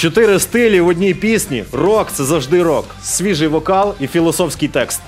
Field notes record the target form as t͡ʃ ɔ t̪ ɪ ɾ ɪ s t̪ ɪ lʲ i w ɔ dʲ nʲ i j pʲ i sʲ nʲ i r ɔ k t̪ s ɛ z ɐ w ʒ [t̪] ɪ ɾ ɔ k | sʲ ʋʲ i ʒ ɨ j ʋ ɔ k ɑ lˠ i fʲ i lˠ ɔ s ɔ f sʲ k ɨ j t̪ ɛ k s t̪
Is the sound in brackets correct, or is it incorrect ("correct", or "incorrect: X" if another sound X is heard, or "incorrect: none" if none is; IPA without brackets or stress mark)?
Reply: incorrect: d̪